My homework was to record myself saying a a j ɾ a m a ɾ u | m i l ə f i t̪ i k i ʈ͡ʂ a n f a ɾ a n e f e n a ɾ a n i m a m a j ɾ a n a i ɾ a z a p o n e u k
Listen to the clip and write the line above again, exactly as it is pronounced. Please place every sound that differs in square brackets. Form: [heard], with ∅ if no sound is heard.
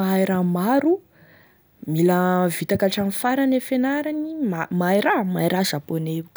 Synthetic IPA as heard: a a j ɾ a m a ɾ u | m i l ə [v] i t̪ [a] k [a] ʈ͡ʂ a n f a ɾ a n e f e n a ɾ a n i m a m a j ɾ a [m] a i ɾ a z a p o n e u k